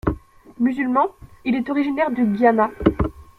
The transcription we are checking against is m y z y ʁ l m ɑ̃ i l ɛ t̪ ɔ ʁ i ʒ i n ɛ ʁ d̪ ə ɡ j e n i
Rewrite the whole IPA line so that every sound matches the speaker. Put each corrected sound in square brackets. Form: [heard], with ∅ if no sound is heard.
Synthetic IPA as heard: m y z y [∅] l m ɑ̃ i l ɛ t̪ ɔ ʁ i ʒ i n ɛ ʁ d̪ ə ɡ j [a] n [a]